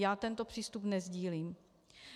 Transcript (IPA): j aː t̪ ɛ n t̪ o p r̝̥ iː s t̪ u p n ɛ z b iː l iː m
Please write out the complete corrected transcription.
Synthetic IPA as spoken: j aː t̪ ɛ n t̪ o p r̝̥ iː s t̪ u p n ɛ z ɟ iː l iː m